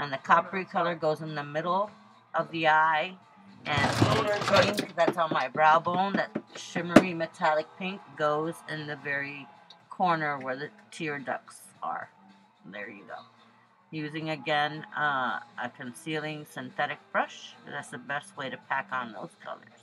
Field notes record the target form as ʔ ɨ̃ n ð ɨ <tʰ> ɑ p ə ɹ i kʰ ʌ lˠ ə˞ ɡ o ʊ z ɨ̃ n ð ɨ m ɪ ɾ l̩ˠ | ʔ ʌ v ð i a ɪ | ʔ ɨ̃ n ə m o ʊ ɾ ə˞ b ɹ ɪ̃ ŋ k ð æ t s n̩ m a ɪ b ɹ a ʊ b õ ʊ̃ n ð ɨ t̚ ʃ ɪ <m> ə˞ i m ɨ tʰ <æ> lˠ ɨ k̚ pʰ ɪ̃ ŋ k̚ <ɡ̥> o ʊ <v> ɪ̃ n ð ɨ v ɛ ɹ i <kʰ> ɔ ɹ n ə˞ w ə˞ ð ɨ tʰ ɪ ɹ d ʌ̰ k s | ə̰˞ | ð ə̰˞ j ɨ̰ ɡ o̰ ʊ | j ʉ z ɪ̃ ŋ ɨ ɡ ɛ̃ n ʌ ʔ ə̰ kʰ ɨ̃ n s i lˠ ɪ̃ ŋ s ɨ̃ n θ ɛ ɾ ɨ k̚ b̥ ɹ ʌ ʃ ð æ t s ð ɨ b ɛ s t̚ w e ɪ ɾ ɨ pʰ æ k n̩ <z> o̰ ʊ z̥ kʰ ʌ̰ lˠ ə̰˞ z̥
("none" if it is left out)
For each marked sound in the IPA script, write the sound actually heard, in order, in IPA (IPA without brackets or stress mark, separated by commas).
kʰ, m, æ, ɡ̥, z, kʰ, ð